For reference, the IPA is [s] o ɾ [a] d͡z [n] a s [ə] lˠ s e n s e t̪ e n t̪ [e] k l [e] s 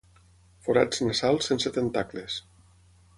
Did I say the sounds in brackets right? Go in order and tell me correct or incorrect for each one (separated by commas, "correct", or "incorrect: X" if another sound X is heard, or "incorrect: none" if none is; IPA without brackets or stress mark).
incorrect: f, correct, correct, incorrect: a, incorrect: a, correct